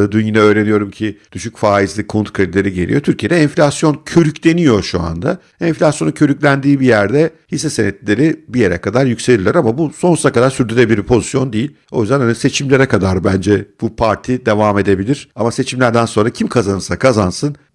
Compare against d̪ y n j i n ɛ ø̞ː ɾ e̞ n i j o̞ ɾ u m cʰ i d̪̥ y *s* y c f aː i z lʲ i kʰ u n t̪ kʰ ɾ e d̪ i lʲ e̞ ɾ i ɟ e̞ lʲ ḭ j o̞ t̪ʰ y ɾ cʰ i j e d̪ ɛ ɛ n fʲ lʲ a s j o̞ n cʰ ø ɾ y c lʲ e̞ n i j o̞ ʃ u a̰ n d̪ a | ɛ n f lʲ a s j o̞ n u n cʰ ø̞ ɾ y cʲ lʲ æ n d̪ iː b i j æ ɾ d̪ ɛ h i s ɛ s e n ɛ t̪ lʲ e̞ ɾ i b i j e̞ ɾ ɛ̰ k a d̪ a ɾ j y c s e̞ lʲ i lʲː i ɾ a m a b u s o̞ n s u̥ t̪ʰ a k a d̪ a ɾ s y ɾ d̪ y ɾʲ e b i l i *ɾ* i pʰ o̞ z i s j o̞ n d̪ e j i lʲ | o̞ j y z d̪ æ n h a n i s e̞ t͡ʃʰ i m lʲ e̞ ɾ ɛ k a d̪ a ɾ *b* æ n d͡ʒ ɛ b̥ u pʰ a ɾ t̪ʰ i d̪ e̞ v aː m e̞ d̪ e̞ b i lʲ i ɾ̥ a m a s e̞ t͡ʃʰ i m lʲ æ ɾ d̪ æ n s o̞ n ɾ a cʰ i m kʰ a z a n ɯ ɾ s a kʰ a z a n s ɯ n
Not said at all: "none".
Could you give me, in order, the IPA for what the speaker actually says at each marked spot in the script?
ʃ, ɾ, b

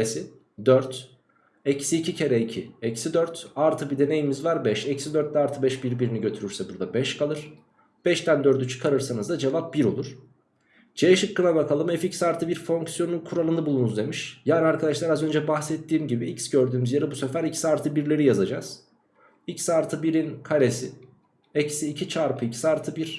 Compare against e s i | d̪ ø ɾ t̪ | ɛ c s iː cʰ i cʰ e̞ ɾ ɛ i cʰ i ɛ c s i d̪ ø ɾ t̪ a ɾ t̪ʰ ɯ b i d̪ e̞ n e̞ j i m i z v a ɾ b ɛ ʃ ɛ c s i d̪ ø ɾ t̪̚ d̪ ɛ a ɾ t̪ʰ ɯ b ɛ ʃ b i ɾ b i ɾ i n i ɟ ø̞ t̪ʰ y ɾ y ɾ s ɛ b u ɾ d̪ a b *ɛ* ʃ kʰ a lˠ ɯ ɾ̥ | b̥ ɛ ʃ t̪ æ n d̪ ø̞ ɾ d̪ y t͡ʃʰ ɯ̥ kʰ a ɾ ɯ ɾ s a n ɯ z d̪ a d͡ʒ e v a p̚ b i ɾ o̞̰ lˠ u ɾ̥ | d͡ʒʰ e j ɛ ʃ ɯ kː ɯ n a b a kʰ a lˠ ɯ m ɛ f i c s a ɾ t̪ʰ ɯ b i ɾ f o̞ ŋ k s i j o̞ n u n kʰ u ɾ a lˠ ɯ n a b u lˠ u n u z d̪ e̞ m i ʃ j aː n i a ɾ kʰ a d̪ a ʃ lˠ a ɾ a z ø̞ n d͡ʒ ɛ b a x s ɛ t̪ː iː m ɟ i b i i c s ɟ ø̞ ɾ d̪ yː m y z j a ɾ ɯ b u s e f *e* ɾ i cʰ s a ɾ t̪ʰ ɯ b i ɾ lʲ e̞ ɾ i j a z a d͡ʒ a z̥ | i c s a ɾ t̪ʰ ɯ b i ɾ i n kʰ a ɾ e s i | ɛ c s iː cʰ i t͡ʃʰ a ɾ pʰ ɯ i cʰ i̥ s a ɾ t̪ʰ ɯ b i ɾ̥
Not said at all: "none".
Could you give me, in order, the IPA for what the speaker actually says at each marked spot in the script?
ɛ, æ

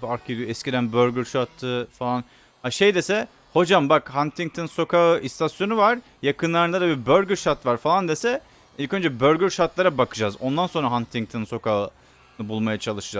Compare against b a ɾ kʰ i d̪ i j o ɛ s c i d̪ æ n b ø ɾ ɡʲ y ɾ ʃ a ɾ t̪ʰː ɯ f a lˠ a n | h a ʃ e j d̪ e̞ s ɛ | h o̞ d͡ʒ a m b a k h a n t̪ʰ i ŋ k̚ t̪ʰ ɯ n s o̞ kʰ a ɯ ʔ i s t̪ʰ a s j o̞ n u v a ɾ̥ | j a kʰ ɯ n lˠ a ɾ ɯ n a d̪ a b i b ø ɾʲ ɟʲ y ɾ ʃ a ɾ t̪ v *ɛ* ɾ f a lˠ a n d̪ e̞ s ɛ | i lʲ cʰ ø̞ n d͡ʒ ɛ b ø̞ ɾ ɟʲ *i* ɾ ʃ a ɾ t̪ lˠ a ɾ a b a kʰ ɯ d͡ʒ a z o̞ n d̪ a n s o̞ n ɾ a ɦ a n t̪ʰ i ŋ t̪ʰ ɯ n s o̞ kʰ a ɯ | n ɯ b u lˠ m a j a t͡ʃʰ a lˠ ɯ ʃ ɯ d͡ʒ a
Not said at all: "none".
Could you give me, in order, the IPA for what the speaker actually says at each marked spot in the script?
a, y

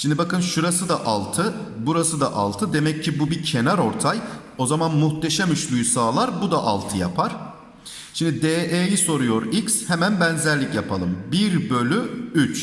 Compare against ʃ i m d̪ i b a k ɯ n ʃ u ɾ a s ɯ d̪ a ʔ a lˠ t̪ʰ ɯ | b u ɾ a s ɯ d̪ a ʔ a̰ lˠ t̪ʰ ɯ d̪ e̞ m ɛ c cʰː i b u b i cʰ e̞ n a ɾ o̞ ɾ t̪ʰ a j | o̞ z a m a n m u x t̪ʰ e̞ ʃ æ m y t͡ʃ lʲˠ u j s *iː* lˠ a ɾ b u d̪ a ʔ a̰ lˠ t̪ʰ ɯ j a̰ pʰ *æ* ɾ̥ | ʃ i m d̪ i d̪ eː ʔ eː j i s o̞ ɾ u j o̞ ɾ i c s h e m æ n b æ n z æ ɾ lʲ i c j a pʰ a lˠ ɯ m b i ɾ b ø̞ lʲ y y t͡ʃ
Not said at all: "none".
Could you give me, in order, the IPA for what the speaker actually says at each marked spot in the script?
aː, a

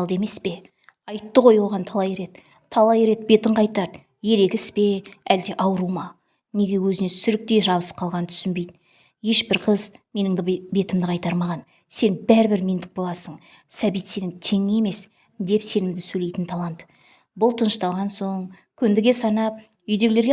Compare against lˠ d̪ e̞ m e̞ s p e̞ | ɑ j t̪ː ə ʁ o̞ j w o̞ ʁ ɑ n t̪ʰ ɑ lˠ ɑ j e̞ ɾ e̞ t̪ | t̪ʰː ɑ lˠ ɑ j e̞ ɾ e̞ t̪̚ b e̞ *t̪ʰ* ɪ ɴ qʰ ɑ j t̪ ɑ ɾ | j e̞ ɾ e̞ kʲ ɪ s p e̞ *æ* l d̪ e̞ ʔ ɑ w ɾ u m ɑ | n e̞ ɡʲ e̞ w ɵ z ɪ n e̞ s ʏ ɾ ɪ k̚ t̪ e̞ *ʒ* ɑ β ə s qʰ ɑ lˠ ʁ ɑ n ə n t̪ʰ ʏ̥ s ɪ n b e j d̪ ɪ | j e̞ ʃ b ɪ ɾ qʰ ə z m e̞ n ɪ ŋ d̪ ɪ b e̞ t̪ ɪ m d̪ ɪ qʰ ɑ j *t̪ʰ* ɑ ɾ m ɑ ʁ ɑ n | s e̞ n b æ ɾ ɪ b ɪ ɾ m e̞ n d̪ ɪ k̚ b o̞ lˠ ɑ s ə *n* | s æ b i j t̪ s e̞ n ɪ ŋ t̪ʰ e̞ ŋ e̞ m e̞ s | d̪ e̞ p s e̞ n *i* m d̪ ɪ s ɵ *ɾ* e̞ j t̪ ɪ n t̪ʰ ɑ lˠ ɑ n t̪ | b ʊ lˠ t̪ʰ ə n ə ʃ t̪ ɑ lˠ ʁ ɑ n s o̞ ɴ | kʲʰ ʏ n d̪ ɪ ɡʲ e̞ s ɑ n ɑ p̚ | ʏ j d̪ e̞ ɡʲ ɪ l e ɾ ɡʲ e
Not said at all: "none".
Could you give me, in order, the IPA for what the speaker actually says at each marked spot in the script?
t̪, æ, ʒ, t̪, ɴ, ɪ, l

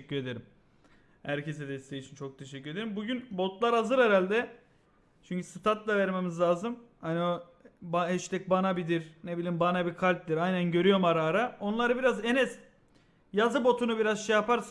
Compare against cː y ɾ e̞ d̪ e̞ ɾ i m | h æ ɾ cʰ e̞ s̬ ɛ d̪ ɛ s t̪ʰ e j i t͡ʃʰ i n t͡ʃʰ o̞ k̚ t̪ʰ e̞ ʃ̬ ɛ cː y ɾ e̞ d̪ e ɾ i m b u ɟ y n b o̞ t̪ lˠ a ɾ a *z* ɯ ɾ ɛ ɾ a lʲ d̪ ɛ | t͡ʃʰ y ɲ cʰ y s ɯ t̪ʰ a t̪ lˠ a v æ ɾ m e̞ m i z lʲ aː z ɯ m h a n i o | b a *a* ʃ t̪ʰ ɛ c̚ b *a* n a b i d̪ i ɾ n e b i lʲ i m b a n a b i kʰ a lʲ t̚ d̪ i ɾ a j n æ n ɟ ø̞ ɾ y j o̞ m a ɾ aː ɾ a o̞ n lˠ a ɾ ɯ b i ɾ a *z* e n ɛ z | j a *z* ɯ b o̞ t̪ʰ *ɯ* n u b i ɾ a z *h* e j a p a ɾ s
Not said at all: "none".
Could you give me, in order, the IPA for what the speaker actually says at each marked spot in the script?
z, ɛ, a, z, z, u, ʃ

